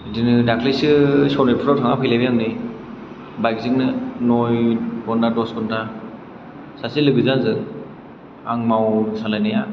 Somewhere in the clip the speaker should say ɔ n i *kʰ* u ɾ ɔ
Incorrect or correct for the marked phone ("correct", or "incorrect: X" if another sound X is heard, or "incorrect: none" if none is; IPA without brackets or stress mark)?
incorrect: pʰ